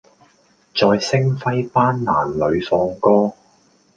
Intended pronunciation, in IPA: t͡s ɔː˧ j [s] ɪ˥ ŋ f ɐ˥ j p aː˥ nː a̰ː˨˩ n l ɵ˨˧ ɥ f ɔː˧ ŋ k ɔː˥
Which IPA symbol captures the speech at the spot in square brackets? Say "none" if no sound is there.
s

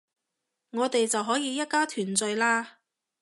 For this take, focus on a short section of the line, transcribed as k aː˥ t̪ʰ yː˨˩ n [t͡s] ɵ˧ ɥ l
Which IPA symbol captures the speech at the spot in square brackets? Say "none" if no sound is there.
t͡s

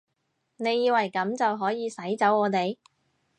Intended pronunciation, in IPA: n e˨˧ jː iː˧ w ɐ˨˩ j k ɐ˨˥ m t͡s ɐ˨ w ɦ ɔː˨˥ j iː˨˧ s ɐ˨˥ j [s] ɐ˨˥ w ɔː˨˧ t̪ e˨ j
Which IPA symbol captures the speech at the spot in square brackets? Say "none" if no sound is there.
t͡s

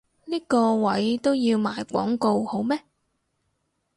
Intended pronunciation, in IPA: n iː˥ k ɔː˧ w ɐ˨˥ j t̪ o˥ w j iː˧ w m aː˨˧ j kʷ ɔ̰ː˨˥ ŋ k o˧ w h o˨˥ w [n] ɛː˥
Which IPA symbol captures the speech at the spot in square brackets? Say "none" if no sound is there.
m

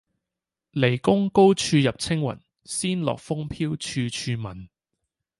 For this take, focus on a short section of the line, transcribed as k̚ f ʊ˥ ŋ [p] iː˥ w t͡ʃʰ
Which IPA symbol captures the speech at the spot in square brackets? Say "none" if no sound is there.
pʰ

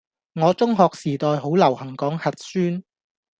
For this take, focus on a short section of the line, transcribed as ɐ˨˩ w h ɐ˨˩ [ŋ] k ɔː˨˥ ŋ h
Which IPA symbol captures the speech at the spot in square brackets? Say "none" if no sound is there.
ŋ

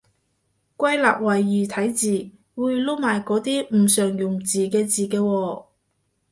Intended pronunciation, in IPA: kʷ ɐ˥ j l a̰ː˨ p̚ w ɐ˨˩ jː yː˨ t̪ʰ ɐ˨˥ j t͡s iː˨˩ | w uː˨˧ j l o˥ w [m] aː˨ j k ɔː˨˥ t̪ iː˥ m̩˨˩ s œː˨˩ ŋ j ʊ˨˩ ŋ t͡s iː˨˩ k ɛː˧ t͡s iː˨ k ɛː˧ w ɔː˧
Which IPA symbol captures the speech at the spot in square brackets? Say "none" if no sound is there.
m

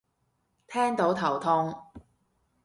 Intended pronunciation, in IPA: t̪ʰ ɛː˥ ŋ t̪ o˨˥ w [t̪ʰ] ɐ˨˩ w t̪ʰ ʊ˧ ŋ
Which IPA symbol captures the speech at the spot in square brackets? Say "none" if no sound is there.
t̪ʰ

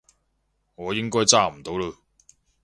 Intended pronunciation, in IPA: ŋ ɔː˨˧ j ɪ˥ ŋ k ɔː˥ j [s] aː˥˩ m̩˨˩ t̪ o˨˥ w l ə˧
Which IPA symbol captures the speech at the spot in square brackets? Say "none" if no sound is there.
t͡s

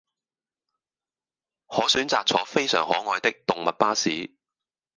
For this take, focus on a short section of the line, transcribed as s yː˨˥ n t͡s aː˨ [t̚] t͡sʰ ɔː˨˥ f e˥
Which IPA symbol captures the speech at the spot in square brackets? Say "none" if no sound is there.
k̚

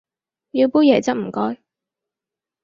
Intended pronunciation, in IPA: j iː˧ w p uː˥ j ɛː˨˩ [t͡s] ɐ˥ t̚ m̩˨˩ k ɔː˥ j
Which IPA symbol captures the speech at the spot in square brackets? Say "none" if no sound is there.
t͡s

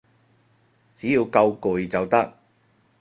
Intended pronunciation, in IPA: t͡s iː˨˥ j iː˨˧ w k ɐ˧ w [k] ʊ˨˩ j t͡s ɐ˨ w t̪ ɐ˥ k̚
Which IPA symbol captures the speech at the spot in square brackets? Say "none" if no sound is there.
k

